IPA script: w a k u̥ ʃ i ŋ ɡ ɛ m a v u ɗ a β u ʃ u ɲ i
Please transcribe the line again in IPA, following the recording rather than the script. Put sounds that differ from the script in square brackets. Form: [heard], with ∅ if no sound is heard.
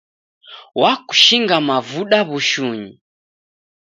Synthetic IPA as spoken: w a k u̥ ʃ i ŋ ɡ [a] m a v u ɗ a β u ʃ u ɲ i